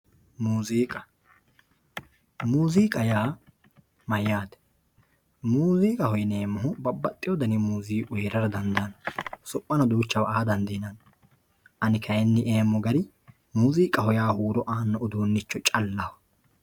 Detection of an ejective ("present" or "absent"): present